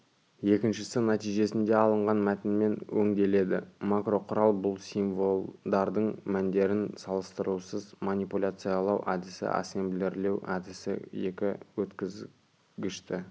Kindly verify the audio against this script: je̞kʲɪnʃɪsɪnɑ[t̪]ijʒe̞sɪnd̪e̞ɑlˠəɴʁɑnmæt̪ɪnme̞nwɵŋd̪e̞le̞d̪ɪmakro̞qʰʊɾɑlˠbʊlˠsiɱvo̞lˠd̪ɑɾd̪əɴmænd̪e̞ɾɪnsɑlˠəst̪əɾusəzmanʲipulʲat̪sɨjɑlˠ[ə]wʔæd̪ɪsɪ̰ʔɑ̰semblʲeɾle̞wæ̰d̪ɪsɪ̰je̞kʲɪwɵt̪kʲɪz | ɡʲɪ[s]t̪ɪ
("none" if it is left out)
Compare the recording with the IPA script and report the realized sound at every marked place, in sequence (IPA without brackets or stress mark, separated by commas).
t̪, ɑ, ʃ